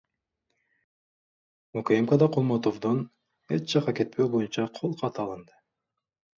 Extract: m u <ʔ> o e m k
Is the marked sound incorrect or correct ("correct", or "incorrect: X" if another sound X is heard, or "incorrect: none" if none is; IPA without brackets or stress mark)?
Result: incorrect: k